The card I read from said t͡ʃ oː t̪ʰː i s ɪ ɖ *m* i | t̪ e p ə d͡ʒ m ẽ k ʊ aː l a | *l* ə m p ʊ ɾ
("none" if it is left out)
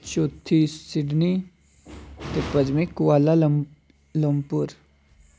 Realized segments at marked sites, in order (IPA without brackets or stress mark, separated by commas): n, l